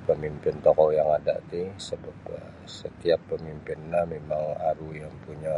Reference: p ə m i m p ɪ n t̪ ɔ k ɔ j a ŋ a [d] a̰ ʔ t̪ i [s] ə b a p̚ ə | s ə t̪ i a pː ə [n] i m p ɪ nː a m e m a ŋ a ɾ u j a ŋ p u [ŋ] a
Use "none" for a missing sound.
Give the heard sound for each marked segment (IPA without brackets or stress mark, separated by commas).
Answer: d, s, m, ɲ